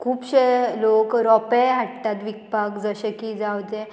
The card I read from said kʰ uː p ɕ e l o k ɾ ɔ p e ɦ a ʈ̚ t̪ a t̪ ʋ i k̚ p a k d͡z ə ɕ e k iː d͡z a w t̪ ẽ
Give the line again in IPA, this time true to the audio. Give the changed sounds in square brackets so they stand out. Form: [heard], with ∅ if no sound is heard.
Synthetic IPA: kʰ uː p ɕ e l o k ɾ ɔ p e ɦ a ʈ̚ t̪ a t̪ ʋ i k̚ p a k d͡z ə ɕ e k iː d͡z a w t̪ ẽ